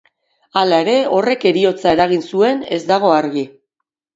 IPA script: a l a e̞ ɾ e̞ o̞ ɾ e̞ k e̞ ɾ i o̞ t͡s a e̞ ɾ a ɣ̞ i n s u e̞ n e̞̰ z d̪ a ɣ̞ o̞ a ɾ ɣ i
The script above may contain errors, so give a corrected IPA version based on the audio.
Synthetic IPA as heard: a l a e̞ ɾ e̞ o̞ r e̞ k e̞ ɾ i o̞ t͡s a e̞ ɾ a ɣ̞ i n s u e̞ n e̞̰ z d̪ a ɣ̞ o̞ a ɾ ɣ i